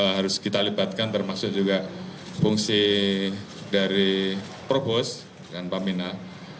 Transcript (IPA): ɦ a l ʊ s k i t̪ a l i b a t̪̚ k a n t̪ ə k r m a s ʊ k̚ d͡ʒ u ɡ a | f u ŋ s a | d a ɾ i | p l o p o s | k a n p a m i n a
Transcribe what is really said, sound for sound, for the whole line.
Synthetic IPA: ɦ a ɾ ʊ s k i t̪ a l i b a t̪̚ k a n t̪ ə r m a s ʊ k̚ d͡ʒ u ɡ a | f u ŋ s i | d a ɾ i | p ɾ o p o s | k a n p a m i n a